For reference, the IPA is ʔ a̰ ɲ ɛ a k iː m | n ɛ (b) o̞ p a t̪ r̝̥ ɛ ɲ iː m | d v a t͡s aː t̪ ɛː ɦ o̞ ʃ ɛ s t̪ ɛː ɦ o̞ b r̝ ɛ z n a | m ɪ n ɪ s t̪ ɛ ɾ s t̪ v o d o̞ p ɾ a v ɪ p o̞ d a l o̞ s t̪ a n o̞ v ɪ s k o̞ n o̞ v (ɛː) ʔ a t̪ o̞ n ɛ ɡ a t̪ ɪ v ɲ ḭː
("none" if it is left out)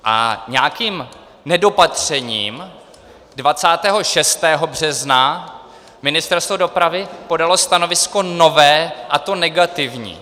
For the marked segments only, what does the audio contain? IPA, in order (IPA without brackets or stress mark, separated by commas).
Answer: d, ɛː